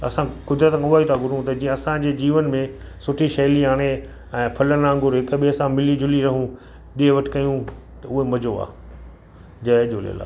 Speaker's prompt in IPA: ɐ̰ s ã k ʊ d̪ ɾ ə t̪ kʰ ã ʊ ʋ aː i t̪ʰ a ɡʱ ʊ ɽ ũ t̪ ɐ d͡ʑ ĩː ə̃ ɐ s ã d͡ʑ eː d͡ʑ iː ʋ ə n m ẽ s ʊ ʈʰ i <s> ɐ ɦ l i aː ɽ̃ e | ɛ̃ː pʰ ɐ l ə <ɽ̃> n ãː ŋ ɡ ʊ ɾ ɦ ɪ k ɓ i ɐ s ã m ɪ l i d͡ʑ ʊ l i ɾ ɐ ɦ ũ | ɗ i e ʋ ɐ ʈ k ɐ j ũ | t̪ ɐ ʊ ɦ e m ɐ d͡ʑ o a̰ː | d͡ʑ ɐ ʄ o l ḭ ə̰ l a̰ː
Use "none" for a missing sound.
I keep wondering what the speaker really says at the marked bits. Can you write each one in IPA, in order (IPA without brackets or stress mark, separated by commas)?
ʃ, none